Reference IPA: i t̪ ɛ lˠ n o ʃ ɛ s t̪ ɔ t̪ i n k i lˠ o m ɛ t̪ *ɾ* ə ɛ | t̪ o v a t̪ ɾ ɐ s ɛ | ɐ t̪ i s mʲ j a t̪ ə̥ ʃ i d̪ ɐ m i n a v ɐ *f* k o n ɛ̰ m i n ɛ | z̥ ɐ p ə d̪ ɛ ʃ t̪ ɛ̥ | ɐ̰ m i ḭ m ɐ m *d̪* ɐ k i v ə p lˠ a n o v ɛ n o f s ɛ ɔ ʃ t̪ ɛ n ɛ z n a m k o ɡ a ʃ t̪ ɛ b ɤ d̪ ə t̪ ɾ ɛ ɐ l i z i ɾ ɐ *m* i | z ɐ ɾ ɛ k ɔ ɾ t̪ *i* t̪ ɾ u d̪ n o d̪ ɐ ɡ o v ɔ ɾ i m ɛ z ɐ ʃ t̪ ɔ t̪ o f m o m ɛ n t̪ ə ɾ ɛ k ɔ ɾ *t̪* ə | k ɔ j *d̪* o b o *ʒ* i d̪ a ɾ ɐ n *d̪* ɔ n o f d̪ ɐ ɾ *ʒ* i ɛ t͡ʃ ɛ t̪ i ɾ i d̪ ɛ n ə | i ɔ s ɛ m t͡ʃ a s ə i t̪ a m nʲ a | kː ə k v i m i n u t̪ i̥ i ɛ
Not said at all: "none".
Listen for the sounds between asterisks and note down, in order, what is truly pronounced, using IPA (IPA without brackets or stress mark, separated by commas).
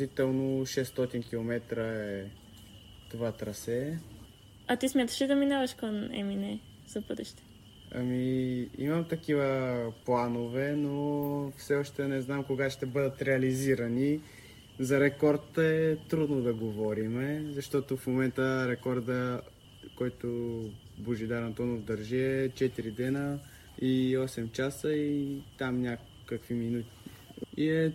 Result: ɾ, ʃ, t̪, n, ɛ, d̪, t̪, ʒ, t̪, ʒ